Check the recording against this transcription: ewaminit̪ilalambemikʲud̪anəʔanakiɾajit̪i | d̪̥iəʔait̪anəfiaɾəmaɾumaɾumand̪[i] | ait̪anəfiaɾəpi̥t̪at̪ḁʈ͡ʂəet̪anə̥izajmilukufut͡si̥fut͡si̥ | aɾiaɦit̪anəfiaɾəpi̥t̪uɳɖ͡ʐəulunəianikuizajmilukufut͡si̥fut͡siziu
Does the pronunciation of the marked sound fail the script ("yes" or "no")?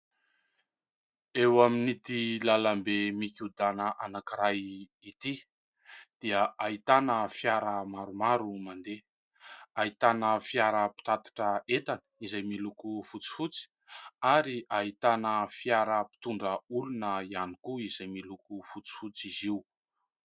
yes